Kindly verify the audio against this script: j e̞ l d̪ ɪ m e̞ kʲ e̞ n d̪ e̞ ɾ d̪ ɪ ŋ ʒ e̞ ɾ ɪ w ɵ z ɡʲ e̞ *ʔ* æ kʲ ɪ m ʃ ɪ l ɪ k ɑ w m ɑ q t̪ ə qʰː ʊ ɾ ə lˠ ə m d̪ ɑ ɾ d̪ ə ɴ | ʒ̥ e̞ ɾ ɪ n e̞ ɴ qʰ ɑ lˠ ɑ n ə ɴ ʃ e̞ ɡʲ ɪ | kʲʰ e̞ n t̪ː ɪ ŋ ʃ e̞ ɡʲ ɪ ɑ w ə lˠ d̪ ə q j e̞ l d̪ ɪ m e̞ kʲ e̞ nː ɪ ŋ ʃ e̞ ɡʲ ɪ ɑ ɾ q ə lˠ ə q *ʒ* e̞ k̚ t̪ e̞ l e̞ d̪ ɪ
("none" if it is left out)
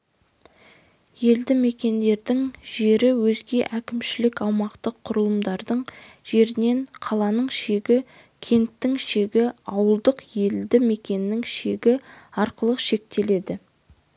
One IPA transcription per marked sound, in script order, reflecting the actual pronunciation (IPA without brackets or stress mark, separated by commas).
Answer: ʔ, ʃ